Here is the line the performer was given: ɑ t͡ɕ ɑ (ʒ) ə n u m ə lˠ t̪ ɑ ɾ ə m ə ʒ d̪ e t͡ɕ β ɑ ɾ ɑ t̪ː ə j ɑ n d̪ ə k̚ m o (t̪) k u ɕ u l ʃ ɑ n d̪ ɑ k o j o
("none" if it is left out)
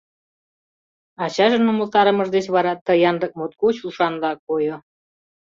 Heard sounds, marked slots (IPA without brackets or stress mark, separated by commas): ʒ, t̪